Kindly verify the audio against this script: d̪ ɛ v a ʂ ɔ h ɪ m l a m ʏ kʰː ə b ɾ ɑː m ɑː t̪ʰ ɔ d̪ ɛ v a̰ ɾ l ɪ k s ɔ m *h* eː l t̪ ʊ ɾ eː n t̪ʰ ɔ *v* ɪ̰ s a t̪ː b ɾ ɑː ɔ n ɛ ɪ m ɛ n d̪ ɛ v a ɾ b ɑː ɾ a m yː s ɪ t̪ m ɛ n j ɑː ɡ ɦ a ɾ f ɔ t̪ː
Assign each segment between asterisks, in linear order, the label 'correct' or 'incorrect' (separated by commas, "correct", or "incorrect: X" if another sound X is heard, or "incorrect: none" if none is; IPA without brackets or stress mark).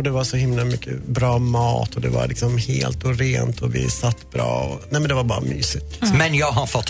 correct, correct